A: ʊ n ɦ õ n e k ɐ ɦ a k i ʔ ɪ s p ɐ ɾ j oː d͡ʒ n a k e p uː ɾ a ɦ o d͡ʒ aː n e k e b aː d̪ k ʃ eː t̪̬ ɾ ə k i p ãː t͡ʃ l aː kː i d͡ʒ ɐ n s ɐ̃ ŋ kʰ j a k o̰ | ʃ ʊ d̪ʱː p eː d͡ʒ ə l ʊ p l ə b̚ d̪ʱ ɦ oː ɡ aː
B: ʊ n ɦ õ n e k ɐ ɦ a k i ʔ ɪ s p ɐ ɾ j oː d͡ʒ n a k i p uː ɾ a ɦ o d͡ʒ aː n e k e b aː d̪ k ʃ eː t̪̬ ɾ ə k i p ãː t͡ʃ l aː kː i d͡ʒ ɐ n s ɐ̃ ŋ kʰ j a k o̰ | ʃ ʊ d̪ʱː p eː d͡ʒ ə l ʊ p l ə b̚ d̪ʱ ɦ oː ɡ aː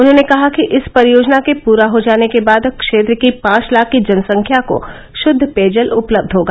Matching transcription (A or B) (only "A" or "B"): A